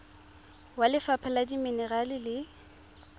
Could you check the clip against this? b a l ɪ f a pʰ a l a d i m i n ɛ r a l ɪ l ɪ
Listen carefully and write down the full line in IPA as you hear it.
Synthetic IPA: w a l ɪ f a pʰ a l a d i m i n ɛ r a l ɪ l ɪ